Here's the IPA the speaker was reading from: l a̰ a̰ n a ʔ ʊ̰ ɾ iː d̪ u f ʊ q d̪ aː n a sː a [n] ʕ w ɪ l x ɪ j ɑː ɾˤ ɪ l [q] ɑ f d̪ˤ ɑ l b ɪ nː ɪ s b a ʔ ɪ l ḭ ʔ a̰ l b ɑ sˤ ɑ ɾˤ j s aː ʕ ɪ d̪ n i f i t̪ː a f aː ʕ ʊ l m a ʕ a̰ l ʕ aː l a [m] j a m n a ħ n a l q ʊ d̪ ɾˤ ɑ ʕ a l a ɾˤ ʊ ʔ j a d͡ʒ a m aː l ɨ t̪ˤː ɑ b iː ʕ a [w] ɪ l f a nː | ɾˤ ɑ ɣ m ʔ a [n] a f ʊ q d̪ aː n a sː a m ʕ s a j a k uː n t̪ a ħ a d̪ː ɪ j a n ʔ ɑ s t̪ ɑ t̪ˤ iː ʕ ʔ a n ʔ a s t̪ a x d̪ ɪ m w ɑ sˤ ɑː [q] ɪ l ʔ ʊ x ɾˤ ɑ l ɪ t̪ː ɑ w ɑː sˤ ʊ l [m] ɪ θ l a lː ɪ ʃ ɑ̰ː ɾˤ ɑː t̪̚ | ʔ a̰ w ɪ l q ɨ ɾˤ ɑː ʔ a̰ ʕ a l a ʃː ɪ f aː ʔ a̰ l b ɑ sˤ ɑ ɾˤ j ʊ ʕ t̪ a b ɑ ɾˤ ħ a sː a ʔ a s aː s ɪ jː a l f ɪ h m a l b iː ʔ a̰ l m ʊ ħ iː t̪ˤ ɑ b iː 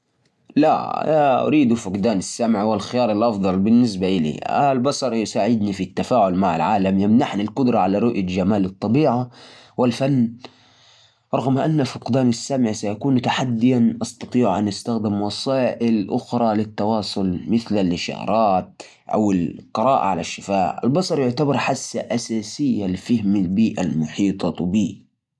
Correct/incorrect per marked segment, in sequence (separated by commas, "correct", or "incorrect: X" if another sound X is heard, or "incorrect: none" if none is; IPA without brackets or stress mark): incorrect: m, incorrect: ʔ, correct, correct, incorrect: nː, incorrect: ʔ, correct